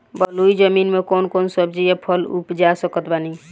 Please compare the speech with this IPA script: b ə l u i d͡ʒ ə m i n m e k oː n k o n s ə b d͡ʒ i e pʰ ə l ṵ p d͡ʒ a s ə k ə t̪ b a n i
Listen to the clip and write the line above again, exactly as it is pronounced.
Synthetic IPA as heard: b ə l u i d͡ʒ ə m i n m e k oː n k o n s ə b d͡ʒ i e pʰ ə l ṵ p d͡ʒ a s ə k ə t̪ b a n i